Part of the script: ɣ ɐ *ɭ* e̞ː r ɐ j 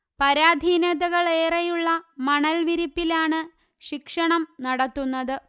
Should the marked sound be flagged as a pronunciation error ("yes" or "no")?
no